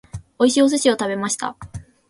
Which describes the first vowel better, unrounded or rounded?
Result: rounded